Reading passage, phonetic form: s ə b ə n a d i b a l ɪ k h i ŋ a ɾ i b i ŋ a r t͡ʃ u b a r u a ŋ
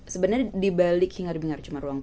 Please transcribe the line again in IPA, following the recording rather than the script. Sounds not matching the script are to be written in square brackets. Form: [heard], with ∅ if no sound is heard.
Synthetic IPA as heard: s ə b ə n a d i b a l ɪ k h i ŋ a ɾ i b i ŋ a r t͡ʃ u [m] a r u a ŋ